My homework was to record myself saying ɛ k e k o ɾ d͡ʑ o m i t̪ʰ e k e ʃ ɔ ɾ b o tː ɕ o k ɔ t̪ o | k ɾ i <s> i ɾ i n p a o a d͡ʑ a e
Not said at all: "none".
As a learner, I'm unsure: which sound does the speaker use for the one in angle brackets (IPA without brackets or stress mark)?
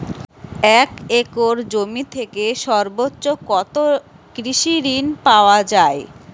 ʃ